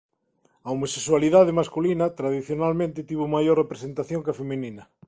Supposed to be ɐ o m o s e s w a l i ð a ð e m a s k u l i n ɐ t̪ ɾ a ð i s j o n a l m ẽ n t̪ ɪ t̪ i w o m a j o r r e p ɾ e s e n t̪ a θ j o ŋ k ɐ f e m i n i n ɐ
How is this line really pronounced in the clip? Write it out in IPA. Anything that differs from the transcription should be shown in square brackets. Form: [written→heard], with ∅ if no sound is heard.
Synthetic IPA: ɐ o m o s e s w a l i ð a ð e m a s k u l i n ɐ t̪ ɾ a ð i [s→θ] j o n a l m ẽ n t̪ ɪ t̪ i [w→β] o m a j o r r e p ɾ e s e n t̪ a θ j o ŋ k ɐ f e m i n i n ɐ